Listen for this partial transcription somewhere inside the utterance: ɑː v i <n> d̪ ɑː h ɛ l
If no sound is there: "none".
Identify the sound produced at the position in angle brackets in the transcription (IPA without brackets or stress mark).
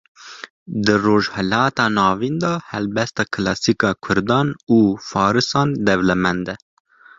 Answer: n